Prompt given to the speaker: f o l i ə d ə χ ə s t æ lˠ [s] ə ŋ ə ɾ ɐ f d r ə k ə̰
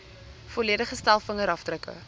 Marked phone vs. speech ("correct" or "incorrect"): incorrect